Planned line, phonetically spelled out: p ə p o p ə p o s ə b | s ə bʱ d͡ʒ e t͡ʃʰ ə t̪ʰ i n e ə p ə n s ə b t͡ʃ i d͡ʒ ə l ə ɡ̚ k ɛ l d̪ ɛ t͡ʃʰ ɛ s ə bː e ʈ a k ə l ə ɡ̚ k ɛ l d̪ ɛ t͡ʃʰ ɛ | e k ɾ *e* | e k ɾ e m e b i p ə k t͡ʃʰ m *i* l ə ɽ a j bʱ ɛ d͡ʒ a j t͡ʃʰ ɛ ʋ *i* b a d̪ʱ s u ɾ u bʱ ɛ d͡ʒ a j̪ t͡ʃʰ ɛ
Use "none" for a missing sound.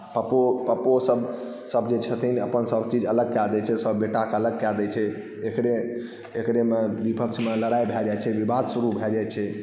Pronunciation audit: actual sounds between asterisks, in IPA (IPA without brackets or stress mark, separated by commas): e, e, i